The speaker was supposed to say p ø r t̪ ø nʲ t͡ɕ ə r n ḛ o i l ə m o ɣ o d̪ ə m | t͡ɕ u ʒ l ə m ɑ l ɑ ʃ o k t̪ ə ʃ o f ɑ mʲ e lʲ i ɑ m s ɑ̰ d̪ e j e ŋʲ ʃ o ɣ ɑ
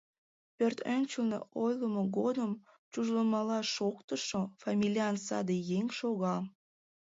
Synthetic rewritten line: p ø r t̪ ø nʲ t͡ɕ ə l n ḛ o j l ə m o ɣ o d̪ ə m | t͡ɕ u ʒ l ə m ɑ l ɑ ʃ o k t̪ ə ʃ o f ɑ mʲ i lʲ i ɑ n s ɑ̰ d̪ e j e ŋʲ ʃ o ɣ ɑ